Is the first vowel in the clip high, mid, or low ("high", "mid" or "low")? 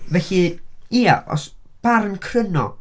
mid